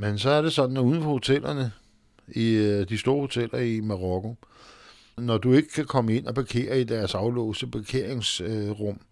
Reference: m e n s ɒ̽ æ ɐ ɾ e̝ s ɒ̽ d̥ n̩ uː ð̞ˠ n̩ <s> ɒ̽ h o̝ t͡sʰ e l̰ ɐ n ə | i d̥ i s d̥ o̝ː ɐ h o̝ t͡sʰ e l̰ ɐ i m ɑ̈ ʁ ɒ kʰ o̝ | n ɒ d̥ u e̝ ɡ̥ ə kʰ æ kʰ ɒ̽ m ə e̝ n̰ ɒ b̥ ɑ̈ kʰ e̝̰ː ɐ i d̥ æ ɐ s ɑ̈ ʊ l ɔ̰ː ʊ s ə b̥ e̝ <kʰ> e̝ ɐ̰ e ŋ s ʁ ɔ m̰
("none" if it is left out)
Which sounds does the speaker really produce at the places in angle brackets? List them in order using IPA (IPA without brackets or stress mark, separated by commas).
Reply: f, kʰ